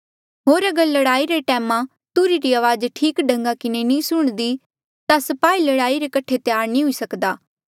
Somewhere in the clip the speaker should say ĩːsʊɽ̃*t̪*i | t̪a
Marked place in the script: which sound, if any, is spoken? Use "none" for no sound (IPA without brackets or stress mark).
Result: d̪